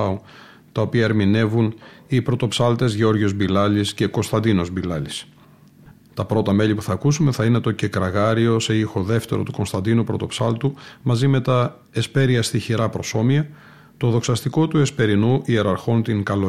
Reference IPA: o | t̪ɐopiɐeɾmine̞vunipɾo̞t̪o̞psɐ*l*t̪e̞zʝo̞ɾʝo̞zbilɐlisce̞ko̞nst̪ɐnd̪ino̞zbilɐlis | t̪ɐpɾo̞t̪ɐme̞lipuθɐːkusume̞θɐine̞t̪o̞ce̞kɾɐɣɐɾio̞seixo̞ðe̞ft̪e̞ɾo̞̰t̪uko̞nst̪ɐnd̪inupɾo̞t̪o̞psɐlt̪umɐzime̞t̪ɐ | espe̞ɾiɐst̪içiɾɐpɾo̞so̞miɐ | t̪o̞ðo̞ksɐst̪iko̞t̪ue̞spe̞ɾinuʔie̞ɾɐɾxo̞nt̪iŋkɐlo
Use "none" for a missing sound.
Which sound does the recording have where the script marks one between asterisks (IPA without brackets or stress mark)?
l